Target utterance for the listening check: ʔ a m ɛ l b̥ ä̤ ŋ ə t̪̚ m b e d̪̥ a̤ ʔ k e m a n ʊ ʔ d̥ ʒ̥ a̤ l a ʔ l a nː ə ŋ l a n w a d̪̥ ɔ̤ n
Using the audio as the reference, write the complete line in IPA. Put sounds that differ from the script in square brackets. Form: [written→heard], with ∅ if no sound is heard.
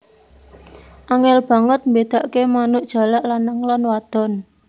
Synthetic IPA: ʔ a [m→ŋ] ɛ l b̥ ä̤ ŋ ə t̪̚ m b e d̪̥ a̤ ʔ k e m a n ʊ ʔ d̥ ʒ̥ a̤ l a ʔ l a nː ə ŋ l a n w a d̪̥ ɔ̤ n